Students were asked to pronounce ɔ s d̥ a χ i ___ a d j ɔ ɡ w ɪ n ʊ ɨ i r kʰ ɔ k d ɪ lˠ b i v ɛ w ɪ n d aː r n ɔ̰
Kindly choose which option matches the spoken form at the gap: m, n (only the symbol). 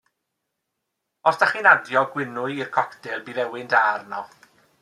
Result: n